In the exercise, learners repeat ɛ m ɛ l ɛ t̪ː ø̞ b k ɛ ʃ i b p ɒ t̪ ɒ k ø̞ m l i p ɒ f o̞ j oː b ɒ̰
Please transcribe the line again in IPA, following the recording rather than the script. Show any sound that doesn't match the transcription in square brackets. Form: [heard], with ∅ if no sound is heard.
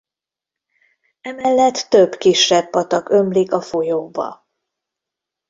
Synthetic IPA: ɛ m ɛ [lː] ɛ t̪ː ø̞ b k [i] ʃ [ɛ] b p ɒ t̪ ɒ k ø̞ m l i [k] ɒ f o̞ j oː b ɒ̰